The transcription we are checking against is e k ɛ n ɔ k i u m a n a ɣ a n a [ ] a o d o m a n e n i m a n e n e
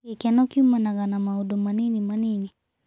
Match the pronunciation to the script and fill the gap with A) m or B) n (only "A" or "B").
A